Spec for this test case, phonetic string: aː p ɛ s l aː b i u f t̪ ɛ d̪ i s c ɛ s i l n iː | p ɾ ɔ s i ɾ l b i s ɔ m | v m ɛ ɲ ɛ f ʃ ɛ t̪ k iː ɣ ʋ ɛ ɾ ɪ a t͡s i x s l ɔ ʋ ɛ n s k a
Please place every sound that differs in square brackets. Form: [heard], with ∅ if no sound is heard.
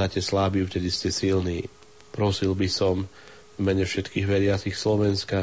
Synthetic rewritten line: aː [c] ɛ s l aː b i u f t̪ ɛ d̪ i s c ɛ s i l n iː | p ɾ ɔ s i [∅] l b i s ɔ m | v m ɛ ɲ ɛ f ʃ ɛ t̪ k iː ɣ ʋ ɛ ɾ ɪ a t͡s i x s l ɔ ʋ ɛ n s k a